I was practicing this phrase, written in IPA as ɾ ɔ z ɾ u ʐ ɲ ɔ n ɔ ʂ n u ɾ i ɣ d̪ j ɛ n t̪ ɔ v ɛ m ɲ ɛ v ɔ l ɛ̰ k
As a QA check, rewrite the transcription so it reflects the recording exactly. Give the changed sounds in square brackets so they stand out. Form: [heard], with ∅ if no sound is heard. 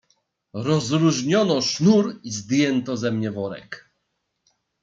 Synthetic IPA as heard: ɾ ɔ z ɾ u ʐ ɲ ɔ n ɔ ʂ n u ɾ i [z] d̪ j ɛ n t̪ ɔ [z] ɛ m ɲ ɛ v ɔ [ɾ] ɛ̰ k